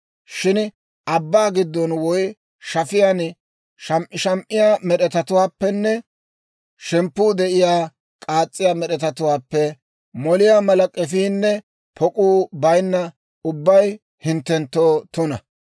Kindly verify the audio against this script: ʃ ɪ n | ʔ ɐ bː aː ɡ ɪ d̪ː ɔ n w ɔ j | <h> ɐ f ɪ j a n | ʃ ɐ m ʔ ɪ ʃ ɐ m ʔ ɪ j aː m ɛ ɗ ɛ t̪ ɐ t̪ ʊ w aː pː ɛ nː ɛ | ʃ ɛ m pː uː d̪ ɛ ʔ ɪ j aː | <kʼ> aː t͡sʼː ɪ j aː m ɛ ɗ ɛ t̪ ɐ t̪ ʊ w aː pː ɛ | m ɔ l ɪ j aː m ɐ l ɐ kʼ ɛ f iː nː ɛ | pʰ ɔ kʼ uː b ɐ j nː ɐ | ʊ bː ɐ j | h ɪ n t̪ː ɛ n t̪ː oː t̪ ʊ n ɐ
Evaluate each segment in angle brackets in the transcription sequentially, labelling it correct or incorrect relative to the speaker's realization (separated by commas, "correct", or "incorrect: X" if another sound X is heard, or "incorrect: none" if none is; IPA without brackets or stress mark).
incorrect: ʃ, correct